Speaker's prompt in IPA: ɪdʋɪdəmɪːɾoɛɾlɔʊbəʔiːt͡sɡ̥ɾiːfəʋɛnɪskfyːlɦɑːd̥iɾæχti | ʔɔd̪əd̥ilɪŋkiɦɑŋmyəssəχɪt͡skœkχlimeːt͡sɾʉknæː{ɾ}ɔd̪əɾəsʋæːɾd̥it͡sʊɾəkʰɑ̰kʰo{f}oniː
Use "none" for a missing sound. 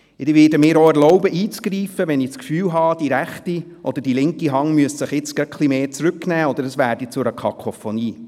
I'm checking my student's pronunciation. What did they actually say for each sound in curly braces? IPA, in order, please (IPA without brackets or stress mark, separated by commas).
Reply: none, f